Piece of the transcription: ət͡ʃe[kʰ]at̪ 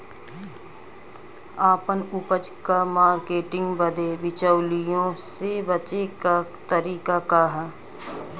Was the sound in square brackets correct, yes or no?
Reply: no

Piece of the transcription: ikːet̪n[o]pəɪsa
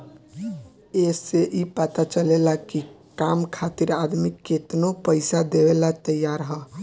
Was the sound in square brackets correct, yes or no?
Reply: yes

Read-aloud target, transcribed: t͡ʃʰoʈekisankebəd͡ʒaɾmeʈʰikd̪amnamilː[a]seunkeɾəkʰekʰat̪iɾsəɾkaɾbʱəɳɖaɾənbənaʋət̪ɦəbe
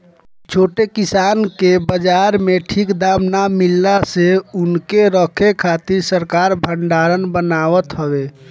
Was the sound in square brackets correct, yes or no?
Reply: yes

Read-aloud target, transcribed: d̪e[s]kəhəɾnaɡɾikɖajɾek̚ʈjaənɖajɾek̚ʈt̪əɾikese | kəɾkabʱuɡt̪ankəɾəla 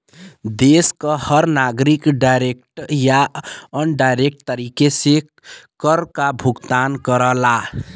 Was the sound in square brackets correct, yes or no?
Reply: yes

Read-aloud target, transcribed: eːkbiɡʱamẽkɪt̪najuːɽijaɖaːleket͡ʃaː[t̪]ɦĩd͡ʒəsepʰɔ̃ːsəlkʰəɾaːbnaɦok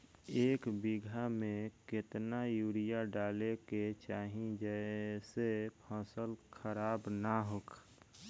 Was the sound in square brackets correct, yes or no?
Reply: no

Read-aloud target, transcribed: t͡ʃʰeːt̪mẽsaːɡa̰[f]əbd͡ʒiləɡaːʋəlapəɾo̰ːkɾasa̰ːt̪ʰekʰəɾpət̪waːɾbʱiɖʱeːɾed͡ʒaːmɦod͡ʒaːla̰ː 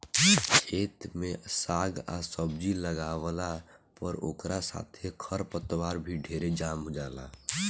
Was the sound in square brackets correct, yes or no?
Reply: no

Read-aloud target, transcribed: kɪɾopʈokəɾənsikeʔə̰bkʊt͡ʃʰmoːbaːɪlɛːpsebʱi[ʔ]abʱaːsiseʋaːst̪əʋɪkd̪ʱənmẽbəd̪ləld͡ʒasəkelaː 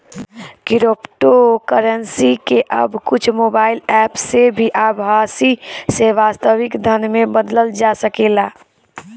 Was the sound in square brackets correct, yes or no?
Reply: yes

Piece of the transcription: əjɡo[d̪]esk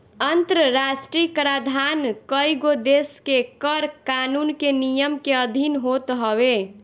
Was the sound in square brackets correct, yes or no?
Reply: yes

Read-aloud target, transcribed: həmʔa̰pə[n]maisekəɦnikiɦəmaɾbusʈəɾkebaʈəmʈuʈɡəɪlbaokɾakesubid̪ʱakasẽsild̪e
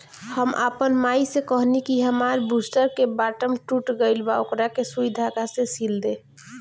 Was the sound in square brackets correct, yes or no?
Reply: yes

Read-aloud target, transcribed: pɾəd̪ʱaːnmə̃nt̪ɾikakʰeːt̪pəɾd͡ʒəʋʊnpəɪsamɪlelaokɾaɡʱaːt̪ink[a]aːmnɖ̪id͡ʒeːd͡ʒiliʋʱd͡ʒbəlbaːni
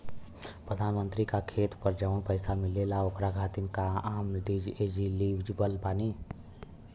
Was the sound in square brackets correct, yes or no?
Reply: yes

